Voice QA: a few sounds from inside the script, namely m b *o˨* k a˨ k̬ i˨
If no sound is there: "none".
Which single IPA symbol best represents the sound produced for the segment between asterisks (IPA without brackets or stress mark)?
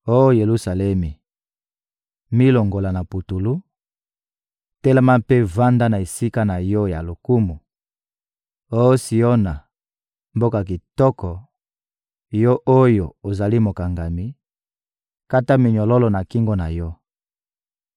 o˦